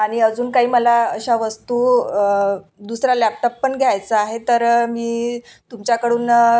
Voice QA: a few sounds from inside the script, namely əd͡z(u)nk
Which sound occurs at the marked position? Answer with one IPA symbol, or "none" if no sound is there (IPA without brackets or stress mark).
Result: uː